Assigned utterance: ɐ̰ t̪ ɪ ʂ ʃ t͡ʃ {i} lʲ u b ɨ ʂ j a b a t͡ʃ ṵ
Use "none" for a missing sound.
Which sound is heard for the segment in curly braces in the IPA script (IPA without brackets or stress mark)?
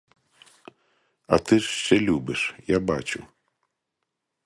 ɛ